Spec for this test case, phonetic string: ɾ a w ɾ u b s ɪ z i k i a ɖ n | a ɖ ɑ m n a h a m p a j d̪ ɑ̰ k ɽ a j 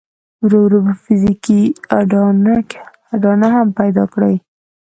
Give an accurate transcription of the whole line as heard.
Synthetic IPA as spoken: ɾ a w ɾ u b f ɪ z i k i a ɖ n | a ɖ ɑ n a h a m p a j d̪ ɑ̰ k ɽ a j